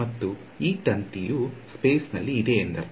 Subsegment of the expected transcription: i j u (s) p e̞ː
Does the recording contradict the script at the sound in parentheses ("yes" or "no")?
no